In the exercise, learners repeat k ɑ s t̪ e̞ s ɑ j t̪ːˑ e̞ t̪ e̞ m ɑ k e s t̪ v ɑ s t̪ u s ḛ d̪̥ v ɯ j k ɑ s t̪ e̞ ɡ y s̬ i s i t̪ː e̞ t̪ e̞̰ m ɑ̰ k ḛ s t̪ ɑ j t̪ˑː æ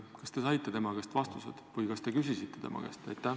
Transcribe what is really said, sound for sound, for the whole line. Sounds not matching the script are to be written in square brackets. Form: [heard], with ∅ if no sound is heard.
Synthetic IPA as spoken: k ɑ s t̪ e̞ s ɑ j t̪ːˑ e̞ t̪ e̞ m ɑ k e s t̪ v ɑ s t̪ u s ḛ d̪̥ v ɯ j k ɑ s t̪ e̞ [k] y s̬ i s i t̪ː e̞ t̪ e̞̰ m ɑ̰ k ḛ s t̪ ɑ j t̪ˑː æ